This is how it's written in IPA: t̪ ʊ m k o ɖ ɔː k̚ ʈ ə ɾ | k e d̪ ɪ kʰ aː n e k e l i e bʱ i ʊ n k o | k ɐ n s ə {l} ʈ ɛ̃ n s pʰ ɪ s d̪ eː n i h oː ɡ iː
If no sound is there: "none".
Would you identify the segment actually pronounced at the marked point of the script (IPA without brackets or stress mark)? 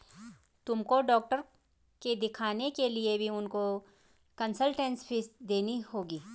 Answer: l